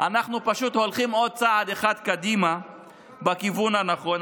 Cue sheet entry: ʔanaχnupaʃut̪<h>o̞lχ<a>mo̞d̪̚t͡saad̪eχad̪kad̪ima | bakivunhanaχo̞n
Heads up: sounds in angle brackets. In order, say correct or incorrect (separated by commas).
correct, incorrect